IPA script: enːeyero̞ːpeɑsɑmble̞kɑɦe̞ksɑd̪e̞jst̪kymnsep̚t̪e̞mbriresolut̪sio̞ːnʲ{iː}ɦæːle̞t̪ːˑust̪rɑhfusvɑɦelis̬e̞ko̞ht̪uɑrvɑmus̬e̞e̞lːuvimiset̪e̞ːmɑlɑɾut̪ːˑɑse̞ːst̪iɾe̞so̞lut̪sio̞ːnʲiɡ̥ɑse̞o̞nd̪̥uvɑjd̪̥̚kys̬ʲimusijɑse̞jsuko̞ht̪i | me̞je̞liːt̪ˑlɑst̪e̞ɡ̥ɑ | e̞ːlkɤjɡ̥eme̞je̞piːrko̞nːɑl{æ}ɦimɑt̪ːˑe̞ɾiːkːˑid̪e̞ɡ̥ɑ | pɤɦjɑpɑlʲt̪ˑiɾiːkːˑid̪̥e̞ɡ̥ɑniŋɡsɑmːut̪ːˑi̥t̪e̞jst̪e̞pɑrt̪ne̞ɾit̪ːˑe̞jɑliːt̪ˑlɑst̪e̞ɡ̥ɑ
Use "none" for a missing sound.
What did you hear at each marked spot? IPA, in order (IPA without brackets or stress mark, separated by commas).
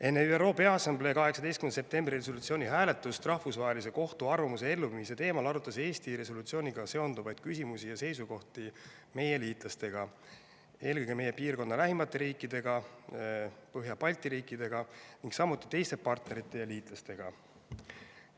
i, æ